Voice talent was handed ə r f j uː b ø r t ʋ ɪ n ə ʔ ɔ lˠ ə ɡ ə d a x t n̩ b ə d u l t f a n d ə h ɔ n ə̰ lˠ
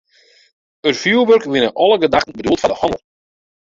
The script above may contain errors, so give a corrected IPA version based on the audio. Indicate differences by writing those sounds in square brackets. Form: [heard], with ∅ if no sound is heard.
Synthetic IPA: ə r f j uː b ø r [k] ʋ ɪ n ə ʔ ɔ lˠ ə ɡ ə d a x t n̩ b ə d u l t f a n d ə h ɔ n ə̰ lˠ